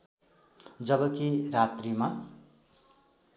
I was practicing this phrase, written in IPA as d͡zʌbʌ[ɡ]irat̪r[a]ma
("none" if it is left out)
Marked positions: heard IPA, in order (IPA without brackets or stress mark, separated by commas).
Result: k, i